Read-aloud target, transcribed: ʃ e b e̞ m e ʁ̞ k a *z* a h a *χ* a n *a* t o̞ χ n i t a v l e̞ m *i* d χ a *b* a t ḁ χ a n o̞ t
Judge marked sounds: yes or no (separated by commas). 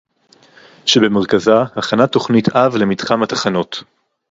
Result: yes, yes, yes, yes, no